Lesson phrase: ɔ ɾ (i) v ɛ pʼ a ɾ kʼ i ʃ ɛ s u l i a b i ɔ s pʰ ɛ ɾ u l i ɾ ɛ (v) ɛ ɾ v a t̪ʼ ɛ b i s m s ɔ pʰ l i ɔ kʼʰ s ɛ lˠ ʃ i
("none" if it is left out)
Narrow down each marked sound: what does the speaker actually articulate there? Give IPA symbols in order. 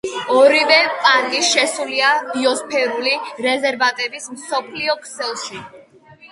i, z

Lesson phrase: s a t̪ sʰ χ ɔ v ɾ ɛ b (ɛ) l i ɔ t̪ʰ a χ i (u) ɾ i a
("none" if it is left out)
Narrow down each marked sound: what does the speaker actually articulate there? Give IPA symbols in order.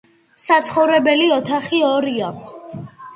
ɛ, ɔ

